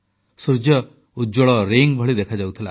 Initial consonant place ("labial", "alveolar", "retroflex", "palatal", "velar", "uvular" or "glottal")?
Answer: alveolar